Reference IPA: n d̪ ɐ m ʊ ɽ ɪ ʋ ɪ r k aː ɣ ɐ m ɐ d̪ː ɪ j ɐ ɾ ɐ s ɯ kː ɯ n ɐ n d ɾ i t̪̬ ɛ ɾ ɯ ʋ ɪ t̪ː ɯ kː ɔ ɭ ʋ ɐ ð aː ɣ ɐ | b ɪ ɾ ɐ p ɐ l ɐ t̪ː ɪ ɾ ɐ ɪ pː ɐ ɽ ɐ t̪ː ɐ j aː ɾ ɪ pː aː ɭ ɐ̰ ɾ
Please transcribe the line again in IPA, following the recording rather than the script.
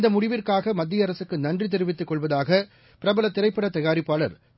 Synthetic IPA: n d̪ ɐ m ʊ ɽ ɪ ʋ ɪ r k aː ɣ ɐ m ɐ d̪ː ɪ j ɐ ɾ ɐ s ɯ kː ɯ n ɐ n d r i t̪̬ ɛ ɾ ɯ ʋ ɪ t̪ː ɯ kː ɔ ɭ ʋ ɐ ð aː ɣ ɐ | p ɪ ɾ ɐ b ɐ l ɐ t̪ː ɪ ɾ ɐ ɪ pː ɐ ɽ ɐ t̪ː ɐ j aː ɾ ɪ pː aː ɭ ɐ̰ ɾ